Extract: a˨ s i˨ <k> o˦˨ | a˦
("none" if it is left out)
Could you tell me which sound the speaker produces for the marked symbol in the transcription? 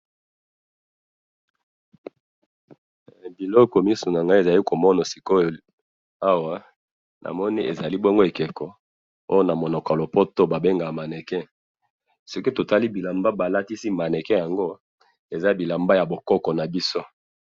k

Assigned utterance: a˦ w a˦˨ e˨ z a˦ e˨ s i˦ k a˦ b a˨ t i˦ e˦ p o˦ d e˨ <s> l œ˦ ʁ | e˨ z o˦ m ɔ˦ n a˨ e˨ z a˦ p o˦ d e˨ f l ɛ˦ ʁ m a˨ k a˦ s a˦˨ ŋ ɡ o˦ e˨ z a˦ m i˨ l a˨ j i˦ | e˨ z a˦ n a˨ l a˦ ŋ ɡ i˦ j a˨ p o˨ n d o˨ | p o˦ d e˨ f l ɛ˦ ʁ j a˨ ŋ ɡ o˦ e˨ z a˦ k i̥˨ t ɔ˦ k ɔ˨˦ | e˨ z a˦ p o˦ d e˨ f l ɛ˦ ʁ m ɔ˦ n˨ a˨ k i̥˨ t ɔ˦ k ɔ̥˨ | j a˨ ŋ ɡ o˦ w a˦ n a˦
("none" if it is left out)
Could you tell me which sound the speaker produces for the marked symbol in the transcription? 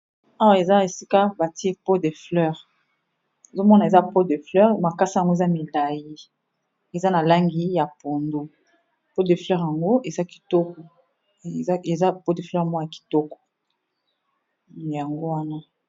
f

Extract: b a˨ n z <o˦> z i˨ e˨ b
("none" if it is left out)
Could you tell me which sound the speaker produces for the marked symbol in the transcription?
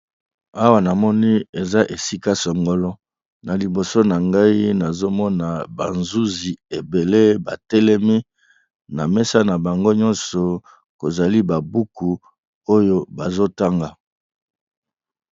u˦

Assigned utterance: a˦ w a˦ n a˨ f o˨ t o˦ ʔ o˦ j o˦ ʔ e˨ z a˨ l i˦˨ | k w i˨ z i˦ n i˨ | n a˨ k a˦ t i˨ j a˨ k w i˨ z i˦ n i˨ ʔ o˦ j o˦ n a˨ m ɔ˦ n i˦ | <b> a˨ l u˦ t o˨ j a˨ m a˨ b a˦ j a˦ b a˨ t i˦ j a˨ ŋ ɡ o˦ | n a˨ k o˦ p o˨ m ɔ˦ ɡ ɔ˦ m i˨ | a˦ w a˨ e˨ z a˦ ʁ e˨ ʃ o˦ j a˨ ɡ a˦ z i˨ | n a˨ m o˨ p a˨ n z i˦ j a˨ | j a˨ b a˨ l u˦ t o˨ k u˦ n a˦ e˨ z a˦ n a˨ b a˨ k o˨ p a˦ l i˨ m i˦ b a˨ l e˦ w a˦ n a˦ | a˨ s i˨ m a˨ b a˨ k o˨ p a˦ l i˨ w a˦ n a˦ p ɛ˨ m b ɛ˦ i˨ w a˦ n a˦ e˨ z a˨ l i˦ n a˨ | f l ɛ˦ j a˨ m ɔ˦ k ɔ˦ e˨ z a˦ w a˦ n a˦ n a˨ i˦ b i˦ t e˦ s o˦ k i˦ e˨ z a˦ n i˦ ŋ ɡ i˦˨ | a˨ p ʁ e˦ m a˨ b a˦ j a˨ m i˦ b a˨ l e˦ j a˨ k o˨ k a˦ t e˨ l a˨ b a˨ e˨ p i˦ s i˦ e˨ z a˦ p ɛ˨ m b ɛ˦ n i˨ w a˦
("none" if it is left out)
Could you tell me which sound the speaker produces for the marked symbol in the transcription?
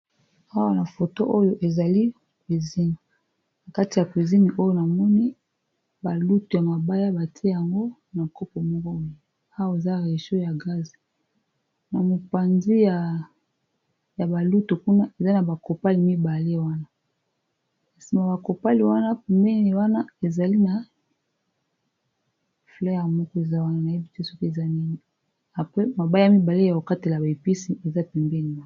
b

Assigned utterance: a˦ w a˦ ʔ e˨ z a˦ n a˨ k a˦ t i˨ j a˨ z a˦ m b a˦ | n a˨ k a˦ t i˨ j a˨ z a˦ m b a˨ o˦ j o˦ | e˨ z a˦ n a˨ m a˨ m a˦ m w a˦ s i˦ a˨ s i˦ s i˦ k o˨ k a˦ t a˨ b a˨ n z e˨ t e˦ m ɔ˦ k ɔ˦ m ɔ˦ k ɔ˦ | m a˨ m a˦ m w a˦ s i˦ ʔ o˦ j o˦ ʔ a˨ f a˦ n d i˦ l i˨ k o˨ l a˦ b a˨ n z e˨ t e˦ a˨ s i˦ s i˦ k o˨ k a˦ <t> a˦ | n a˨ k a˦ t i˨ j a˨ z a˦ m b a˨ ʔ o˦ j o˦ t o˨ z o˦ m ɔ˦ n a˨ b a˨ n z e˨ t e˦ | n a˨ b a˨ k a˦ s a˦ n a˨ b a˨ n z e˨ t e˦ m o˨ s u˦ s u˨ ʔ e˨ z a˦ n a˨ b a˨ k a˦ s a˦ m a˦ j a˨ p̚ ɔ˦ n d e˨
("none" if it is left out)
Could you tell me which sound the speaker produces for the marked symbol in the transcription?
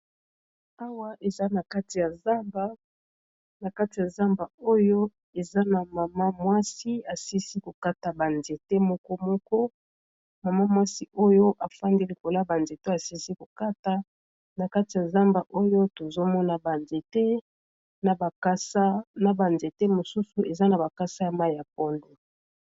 t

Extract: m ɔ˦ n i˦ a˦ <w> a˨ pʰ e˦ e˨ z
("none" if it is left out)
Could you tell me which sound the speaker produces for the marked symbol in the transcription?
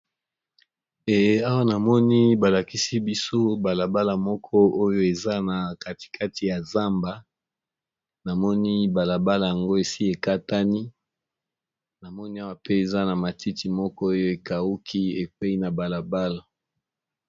w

